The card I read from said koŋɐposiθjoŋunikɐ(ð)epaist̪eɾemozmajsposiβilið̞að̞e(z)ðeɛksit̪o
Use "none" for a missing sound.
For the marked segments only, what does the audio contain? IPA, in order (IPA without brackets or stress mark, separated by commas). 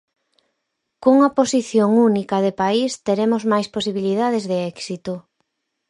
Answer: ð, z